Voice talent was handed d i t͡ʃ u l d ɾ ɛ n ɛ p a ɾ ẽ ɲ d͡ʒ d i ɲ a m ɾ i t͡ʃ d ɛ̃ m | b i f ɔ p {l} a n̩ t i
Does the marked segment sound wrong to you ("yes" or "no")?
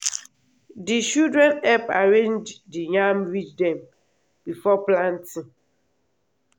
no